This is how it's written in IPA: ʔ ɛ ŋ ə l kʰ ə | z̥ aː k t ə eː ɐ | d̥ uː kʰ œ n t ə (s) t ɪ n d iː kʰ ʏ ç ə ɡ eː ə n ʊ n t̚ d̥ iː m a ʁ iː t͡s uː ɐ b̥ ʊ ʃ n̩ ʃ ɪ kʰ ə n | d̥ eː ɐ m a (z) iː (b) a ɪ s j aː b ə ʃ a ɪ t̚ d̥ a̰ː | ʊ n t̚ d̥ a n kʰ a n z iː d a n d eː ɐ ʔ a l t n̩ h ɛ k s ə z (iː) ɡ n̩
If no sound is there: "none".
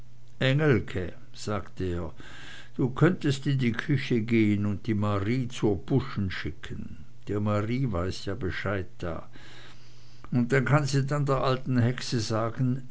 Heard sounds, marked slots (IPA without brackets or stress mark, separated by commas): s, ʁ, v, aː